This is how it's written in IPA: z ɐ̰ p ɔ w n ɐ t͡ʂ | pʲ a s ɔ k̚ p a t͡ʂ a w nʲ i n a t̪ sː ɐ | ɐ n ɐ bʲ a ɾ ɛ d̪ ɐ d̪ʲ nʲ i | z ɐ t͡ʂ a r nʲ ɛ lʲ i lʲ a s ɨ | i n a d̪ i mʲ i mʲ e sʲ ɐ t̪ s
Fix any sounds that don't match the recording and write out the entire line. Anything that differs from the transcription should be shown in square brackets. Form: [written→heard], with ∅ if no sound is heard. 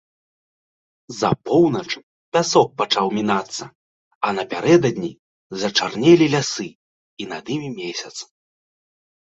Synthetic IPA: z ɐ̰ p ɔ w n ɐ t͡ʂ | pʲ a s ɔ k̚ p a t͡ʂ a w [nʲ→mʲ] i n a t̪ sː ɐ | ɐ n ɐ [bʲ→pʲ] a ɾ ɛ d̪ ɐ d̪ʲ nʲ i | z ɐ t͡ʂ a r nʲ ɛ lʲ i lʲ a s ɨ | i n a d̪ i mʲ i mʲ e sʲ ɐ t̪ s

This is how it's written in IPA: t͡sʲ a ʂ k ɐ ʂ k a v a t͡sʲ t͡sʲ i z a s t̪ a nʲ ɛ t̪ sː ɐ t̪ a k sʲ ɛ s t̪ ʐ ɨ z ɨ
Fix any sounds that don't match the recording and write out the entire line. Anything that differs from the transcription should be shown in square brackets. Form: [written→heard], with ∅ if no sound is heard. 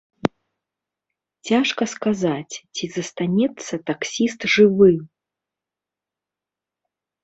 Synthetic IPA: t͡sʲ a ʂ k ɐ [ʂ→s] k a [v→z] a t͡sʲ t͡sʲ i z [a→ɐ] s t̪ a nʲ ɛ t̪ sː ɐ t̪ a k sʲ [ɛ→i] s t̪ ʐ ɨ [z→v] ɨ

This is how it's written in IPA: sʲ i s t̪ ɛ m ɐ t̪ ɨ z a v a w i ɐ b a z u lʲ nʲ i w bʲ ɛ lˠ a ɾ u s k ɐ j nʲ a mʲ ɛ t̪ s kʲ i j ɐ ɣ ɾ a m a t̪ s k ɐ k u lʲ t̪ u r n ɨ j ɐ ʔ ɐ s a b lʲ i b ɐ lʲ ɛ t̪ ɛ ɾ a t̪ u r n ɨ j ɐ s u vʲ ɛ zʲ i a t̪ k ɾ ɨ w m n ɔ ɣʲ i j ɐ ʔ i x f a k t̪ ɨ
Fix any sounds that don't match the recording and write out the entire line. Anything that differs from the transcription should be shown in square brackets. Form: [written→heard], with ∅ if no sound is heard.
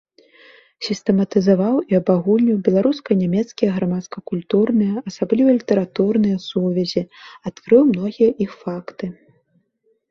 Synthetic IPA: sʲ i s t̪ ɛ m ɐ t̪ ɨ z a v a w i ɐ b a [z→ɣ] u lʲ nʲ i w bʲ ɛ lˠ a ɾ u s k ɐ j nʲ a mʲ ɛ t̪ s kʲ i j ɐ ɣ ɾ a m a t̪ s k ɐ k u lʲ t̪ u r n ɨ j ɐ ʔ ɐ s a b lʲ i [b→v] ɐ lʲ [ɛ→i] t̪ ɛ ɾ a t̪ u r n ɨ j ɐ s u vʲ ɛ zʲ i a t̪ k ɾ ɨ w m n ɔ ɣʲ i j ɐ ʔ i x f a k t̪ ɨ

